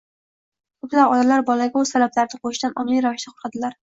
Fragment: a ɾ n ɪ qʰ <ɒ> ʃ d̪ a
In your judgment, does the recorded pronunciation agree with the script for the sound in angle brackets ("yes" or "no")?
no